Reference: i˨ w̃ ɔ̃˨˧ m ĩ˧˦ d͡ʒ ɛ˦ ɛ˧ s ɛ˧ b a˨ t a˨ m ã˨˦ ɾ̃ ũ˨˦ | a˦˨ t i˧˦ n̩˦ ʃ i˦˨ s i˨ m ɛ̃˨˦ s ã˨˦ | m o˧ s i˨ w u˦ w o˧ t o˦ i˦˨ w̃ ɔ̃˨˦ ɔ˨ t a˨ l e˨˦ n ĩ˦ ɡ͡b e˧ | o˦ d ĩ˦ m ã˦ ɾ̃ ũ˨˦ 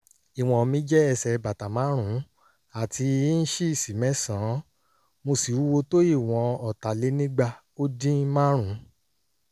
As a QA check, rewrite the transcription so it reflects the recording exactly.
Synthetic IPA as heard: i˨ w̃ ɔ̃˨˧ m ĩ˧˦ d͡ʒ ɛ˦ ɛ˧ s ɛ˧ b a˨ t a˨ m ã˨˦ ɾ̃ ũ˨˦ | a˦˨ t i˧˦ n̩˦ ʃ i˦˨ s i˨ m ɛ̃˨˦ s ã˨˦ | m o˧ s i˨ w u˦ w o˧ t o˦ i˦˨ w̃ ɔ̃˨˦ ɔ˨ t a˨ l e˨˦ n ĩ˦ ɡ͡b a˧ | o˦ d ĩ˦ m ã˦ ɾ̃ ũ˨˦